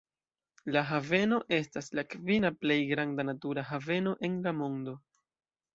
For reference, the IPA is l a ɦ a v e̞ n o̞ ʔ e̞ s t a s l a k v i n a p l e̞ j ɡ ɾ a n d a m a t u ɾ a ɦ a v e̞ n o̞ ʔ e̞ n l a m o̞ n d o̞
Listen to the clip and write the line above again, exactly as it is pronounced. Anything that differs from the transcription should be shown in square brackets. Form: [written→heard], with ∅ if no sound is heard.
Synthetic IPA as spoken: l a ɦ a v e̞ n o̞ ʔ e̞ s t a s l a k v i n a p l e̞ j ɡ ɾ a n d a [m→n] a t u ɾ a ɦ a v e̞ n o̞ ʔ e̞ n l a m o̞ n d o̞